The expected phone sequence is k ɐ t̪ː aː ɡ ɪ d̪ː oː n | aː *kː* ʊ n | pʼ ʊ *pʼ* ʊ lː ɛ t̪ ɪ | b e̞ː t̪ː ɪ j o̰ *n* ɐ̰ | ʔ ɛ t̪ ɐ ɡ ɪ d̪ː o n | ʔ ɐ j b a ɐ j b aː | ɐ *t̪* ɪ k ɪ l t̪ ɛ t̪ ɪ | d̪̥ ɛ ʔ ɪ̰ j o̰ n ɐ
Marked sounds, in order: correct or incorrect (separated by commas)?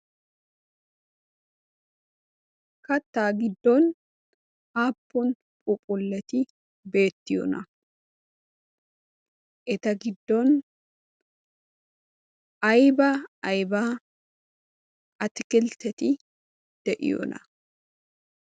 incorrect, correct, correct, correct